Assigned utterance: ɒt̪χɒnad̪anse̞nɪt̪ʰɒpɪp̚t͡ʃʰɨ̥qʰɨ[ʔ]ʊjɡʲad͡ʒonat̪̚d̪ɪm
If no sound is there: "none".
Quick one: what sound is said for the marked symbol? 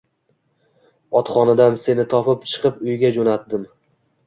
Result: p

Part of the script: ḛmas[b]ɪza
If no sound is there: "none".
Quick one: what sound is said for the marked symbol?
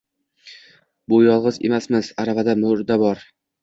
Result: m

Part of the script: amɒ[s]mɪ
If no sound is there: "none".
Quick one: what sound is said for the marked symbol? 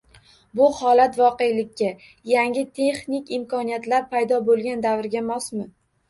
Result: s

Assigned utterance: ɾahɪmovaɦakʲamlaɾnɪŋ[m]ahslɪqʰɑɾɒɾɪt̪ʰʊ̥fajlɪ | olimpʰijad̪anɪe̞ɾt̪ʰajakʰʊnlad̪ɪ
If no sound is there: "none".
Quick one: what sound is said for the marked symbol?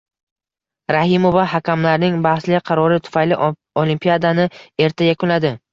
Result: b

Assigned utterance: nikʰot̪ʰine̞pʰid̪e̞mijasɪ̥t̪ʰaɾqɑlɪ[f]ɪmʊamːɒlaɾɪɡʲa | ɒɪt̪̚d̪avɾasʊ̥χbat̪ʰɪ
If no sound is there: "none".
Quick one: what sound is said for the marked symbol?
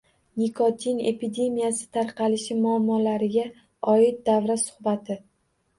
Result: ʃ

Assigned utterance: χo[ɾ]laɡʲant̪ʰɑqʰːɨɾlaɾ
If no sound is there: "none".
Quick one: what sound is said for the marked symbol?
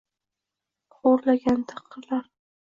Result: ɾ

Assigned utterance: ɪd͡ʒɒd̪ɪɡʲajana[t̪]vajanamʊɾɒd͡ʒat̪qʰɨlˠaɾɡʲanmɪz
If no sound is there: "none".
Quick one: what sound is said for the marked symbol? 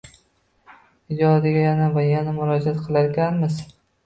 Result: none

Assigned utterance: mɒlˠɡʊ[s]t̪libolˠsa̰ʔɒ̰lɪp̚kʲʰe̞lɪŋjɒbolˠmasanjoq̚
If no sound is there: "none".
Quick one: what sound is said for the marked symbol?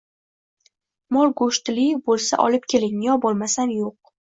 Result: ʃ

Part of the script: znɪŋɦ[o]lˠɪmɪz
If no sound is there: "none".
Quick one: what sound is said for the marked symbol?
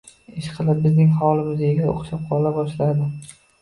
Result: ɒ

